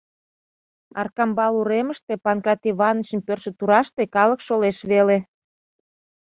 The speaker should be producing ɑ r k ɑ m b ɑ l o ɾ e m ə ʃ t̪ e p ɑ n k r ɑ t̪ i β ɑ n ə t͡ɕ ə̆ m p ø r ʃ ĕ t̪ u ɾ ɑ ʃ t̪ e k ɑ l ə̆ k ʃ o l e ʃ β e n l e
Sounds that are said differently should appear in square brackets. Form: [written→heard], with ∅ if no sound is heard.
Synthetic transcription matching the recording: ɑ r k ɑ m b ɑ l [o→u] ɾ e m ə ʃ t̪ e p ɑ n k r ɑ t̪ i β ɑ n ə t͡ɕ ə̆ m p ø r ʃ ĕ t̪ u ɾ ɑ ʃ t̪ e k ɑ l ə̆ k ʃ o l e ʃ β e [n→∅] l e